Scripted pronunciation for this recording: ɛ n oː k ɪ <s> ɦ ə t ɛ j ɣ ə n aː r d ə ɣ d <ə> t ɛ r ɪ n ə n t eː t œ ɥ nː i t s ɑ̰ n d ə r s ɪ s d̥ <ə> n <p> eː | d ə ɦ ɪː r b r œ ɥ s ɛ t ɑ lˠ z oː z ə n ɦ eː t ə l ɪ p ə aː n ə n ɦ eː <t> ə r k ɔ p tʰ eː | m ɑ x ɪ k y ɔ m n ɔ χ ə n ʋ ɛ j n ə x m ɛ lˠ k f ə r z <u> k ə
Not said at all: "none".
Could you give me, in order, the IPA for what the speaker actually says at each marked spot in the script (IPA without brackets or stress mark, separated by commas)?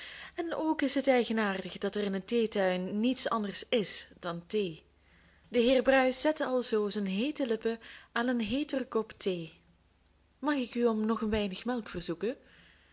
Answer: s, ɑ, ɑ, t, t, u